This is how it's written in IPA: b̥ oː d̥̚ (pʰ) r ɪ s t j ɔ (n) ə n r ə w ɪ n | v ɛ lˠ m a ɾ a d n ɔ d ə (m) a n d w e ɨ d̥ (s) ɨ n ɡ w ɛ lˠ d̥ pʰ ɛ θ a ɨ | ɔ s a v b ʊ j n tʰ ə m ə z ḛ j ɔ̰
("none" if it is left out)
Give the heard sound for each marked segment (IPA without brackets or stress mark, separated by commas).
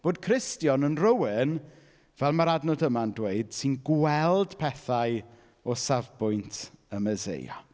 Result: kʰ, n, m, s